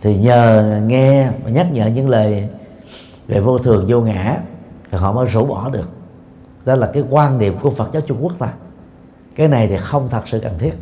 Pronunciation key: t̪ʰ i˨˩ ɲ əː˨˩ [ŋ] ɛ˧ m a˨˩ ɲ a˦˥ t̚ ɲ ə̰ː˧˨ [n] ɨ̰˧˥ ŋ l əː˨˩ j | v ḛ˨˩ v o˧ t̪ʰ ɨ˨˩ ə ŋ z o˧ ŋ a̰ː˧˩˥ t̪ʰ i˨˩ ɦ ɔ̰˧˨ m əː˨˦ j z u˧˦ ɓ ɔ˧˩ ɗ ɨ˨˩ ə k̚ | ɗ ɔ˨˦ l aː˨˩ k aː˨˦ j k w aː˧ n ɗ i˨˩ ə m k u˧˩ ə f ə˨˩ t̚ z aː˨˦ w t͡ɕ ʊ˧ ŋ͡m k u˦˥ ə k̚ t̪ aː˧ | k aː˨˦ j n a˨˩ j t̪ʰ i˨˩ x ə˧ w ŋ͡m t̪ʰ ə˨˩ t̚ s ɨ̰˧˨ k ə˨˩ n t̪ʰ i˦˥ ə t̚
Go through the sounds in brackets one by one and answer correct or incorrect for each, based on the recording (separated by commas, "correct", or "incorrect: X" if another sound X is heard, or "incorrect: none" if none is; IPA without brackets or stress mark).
correct, incorrect: ɲ